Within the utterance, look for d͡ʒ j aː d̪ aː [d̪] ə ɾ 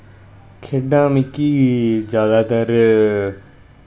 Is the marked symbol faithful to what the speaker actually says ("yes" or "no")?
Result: no